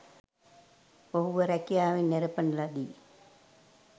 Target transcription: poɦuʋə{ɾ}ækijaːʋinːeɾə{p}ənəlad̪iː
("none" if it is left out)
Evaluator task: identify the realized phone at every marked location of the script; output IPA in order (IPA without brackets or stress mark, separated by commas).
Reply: ɾ, p